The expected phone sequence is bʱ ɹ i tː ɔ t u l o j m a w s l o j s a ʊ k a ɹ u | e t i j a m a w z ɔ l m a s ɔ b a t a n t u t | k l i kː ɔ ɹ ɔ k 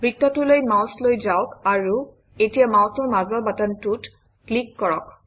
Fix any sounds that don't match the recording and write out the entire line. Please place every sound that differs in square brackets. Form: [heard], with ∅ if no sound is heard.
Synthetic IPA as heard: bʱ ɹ i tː ɔ t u l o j m a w s l o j [z] a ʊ k a ɹ u | e t i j a m a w [s] ɔ [ɹ] m a [z] ɔ b a t a n t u t | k l i kː ɔ ɹ ɔ k